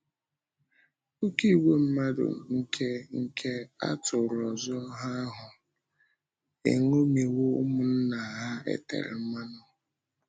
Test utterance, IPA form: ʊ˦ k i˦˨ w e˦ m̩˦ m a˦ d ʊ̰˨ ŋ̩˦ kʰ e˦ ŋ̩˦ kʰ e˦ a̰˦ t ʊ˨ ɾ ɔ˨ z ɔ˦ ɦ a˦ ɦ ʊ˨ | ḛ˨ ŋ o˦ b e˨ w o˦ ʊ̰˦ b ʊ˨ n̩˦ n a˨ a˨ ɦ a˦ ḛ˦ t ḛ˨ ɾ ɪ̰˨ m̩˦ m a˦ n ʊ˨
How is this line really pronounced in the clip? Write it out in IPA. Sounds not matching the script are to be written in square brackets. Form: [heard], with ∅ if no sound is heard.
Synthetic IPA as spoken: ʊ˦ k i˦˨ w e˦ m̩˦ m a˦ d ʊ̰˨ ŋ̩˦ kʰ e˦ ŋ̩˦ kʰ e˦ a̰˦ t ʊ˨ ɾ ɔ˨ z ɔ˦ ɦ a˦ ɦ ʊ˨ | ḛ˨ ŋ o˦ [m] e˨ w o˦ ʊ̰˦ [m] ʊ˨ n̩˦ n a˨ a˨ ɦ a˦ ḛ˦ t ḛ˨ ɾ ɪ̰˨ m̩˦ m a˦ n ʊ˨